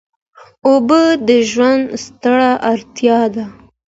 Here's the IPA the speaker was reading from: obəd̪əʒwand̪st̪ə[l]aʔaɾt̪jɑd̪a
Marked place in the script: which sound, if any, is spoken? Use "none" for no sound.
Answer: ɽ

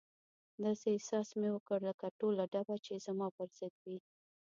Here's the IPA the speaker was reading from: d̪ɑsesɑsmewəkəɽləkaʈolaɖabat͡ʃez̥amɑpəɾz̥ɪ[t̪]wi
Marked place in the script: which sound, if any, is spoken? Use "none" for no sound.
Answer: d̪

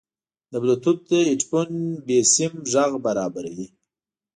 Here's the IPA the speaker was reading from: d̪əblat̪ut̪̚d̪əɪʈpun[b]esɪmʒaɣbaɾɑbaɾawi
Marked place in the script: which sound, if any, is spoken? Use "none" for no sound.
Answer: b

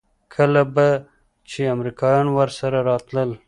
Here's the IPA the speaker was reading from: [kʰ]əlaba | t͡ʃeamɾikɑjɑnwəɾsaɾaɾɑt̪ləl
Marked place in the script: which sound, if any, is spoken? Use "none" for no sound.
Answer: kʰ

